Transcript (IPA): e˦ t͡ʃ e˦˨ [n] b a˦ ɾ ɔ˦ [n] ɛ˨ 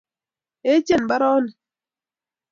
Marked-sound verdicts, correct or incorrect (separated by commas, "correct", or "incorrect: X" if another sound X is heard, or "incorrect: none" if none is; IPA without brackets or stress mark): correct, correct